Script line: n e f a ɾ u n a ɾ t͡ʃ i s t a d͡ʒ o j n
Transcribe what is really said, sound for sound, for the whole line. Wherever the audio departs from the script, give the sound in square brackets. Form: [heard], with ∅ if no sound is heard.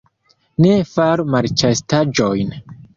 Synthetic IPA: n e f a ɾ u [m] a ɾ t͡ʃ [a] s t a d͡ʒ o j n